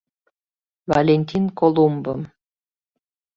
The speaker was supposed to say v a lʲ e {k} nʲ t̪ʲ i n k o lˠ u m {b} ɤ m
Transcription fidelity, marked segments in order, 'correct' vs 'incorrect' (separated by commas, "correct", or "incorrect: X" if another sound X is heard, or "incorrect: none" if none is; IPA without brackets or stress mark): incorrect: none, correct